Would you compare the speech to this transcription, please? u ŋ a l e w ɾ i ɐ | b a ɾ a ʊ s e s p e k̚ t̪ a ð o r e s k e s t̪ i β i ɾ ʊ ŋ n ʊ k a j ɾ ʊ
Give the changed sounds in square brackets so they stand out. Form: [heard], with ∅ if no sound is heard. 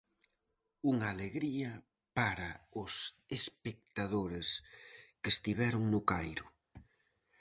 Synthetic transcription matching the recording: u ŋ a l e [ɣ] ɾ i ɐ | [p] a ɾ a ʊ s e s p e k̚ t̪ a ð o [ɾ] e s k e s t̪ i β [ɛ] ɾ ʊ ŋ n ʊ k a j ɾ ʊ